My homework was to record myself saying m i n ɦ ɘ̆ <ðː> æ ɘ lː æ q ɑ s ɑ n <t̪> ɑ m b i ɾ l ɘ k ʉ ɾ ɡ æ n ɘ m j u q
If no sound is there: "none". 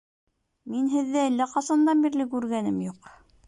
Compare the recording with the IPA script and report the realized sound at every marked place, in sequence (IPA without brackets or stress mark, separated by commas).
ðː, d̪